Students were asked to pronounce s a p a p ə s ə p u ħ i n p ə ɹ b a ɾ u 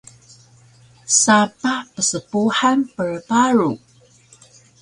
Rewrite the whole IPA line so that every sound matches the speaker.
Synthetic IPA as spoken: s a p a p ə s ə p u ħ a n p ə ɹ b a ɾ u